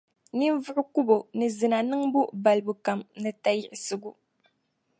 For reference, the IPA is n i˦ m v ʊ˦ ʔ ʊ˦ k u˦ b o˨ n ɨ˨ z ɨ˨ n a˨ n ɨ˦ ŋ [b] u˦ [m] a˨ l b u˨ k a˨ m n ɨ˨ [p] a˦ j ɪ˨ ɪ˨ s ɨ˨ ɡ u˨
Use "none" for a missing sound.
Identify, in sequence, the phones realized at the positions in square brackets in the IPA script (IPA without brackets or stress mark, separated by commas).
b, b, t